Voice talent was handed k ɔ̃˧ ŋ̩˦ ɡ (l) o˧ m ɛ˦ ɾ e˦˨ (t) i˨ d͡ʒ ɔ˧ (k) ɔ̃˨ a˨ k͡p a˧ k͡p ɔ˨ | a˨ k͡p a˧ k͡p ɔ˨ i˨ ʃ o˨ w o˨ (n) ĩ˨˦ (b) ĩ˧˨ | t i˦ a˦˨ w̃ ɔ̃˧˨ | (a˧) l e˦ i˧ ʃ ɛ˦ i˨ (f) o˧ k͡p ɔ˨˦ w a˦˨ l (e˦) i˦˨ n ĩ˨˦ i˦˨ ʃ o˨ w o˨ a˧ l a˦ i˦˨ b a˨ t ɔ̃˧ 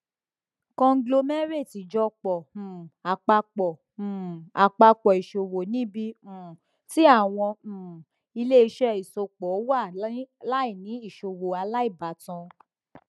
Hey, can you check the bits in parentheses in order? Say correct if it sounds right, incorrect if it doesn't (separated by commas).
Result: correct, correct, incorrect, correct, correct, incorrect, incorrect, incorrect